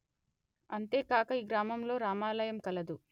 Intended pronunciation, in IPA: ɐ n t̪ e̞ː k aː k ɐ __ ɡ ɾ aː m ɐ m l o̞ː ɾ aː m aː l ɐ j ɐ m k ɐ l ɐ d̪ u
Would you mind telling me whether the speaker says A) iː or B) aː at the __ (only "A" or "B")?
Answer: A